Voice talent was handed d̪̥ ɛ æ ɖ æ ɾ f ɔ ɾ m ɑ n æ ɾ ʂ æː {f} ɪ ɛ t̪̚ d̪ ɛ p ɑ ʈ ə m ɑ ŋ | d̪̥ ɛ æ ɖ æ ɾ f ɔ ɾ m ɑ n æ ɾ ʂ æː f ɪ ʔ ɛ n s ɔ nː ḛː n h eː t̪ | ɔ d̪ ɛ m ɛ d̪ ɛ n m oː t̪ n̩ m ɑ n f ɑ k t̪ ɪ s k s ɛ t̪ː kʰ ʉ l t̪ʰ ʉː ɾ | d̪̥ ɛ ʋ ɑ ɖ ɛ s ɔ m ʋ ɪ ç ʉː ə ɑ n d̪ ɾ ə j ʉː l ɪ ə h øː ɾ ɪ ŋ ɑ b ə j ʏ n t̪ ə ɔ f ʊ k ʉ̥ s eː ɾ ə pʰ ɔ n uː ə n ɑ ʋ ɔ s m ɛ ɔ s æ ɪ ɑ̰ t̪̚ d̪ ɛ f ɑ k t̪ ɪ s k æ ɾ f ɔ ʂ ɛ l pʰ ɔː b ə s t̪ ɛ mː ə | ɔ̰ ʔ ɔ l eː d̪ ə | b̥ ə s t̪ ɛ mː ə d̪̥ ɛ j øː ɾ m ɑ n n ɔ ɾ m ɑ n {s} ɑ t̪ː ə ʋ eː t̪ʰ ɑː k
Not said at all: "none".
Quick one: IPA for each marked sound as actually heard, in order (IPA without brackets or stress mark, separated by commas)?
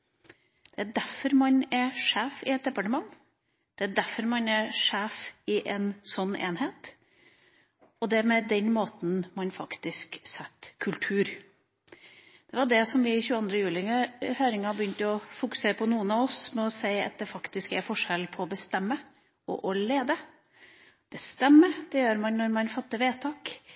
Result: f, f